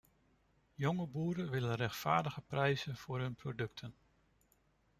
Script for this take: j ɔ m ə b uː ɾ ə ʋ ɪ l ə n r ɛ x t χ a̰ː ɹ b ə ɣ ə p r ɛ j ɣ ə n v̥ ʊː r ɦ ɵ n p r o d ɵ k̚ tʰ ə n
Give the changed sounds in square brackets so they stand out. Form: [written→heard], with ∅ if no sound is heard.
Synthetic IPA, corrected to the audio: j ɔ [m→ŋ] ə b uː ɾ ə ʋ ɪ l ə n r ɛ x t [χ→f] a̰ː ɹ [b→d] ə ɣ ə p r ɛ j [ɣ→z] ə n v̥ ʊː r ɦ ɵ n p r o d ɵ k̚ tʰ ə n